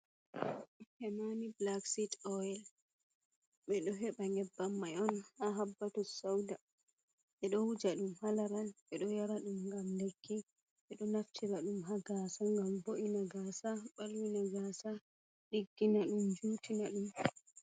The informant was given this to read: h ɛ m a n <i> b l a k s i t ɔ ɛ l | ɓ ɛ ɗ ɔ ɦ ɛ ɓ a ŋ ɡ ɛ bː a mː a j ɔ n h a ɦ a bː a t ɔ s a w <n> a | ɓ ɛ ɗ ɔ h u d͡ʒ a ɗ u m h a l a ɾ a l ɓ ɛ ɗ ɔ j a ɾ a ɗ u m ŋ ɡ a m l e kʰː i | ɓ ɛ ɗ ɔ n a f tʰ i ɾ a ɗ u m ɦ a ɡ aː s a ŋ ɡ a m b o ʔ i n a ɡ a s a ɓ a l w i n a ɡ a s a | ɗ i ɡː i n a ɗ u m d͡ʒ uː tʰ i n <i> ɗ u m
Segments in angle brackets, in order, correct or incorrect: correct, incorrect: d, incorrect: a

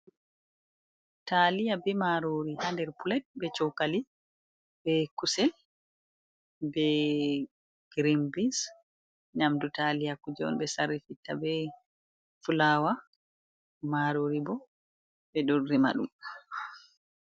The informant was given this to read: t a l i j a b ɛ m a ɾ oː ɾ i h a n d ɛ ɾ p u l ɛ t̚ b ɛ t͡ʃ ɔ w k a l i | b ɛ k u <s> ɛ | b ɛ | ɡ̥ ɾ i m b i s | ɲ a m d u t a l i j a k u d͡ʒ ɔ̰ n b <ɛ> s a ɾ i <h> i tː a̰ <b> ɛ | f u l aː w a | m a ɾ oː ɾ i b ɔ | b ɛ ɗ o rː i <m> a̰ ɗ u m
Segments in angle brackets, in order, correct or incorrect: correct, correct, incorrect: f, correct, correct

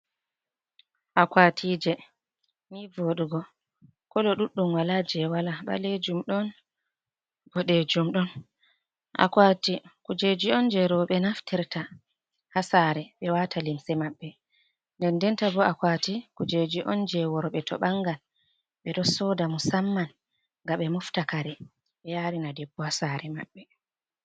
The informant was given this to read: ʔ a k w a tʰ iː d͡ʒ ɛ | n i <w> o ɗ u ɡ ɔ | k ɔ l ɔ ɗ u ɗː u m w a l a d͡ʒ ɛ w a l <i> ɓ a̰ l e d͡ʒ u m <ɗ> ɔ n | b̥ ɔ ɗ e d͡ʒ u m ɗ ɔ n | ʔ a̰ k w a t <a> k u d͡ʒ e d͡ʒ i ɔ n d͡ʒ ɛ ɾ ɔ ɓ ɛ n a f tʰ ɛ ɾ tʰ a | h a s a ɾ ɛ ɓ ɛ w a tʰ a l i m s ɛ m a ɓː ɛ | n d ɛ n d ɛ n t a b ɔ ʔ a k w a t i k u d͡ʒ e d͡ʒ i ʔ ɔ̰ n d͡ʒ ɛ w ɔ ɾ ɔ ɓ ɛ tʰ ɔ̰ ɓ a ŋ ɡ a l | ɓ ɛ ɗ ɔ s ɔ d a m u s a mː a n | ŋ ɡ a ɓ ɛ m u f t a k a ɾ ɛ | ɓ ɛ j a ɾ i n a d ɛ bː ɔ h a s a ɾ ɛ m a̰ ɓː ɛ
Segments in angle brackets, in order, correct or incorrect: incorrect: v, incorrect: a, correct, incorrect: i

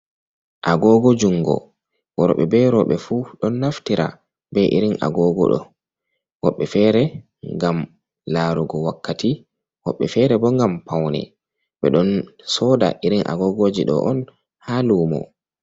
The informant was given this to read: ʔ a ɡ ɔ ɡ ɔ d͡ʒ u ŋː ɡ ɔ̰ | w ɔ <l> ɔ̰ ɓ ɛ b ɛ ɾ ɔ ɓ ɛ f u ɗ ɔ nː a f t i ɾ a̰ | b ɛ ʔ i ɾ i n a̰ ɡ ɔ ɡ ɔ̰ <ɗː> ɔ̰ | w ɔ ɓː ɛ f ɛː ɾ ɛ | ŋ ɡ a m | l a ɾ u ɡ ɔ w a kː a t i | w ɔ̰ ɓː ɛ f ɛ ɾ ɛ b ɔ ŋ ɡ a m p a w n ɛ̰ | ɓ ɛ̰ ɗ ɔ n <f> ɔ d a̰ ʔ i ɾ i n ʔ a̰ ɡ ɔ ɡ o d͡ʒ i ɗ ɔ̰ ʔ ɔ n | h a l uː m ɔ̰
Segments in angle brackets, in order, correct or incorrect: incorrect: ɾ, incorrect: ɗ, incorrect: s

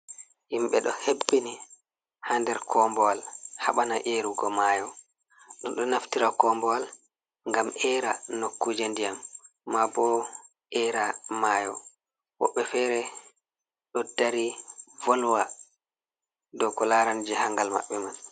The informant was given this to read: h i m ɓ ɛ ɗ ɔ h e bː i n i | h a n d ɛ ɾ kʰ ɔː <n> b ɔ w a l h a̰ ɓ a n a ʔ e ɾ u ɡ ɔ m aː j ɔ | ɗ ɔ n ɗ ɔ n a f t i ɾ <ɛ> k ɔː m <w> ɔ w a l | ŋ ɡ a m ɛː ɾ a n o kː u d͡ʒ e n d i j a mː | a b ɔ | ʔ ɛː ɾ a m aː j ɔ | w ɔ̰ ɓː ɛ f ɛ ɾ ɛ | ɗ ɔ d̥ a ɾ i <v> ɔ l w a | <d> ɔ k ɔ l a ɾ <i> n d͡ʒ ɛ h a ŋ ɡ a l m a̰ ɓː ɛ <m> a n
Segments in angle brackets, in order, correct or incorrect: incorrect: m, incorrect: a, incorrect: b, correct, correct, incorrect: a, correct

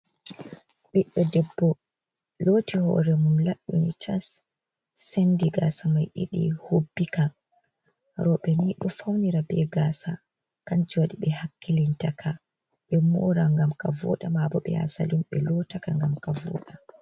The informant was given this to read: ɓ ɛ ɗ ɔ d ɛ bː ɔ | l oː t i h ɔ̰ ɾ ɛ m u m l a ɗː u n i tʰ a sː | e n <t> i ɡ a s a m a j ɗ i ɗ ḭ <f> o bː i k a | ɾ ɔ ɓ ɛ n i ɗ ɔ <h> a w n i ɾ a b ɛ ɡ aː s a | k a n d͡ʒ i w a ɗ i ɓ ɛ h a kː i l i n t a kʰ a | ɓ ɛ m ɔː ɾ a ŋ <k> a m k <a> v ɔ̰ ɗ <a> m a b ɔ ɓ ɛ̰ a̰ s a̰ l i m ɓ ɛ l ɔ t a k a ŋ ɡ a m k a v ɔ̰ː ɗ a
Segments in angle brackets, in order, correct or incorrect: incorrect: d, incorrect: h, incorrect: f, incorrect: ɡ, correct, correct

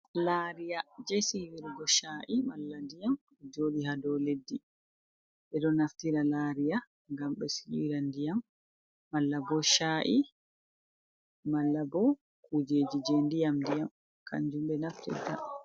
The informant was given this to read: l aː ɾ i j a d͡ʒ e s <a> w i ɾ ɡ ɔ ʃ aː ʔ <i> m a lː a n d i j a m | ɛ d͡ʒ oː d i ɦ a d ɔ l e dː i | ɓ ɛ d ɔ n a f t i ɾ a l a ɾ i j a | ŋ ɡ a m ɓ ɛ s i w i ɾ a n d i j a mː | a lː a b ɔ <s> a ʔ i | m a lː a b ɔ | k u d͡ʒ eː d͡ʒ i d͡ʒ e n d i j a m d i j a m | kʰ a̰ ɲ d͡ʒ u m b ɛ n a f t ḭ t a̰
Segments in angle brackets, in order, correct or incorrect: incorrect: i, correct, incorrect: ʃ

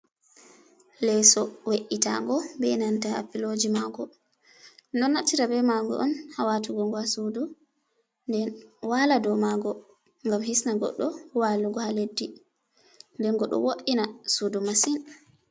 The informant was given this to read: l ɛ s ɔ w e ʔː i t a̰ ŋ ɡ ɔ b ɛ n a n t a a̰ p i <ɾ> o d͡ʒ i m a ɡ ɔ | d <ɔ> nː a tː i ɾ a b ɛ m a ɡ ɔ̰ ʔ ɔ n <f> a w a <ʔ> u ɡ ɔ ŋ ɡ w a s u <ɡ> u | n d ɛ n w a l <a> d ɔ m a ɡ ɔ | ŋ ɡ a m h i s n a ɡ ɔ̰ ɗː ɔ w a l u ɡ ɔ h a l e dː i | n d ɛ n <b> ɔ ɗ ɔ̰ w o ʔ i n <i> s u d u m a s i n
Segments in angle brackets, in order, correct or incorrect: incorrect: l, correct, incorrect: h, incorrect: t, incorrect: d, correct, incorrect: ɡ, incorrect: a

